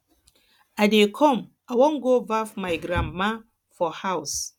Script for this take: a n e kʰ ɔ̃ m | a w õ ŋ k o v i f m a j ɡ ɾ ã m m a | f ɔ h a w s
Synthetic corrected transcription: a d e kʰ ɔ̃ m | a w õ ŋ ɡ o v a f m a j ɡ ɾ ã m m a | f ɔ h a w s